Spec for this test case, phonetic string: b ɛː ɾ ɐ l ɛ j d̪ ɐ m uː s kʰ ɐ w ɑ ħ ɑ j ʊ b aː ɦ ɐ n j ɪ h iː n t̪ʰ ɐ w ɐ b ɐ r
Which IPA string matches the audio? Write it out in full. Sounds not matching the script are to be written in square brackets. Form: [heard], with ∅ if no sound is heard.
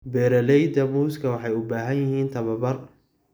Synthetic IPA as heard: b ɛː ɾ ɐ l ɛ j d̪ ɐ m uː s kʰ ɐ w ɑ ħ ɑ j ʊ b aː ɦ ɐ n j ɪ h iː n t̪ʰ ɐ [β] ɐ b ɐ r